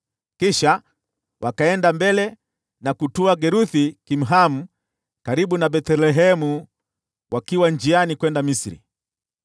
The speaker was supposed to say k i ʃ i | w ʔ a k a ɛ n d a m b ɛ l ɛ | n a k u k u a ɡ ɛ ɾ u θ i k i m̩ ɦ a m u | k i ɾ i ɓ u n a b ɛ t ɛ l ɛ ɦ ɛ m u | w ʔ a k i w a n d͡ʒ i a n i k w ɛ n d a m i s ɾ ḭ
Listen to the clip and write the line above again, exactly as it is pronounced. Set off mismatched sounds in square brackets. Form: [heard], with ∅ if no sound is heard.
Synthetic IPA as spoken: k i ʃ [a] | w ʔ a k a ɛ n d a m b ɛ l ɛ | n a k u [t] u a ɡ ɛ ɾ u θ i k i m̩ ɦ a m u | k [a] ɾ i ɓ u n a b ɛ t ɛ l ɛ ɦ ɛ m u | w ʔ a k i w a n d͡ʒ i a n i k w ɛ n d a m i s ɾ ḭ